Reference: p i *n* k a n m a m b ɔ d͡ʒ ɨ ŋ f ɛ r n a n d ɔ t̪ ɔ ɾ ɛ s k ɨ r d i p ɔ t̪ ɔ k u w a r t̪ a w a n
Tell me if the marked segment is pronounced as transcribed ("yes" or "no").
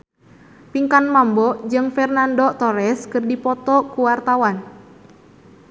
no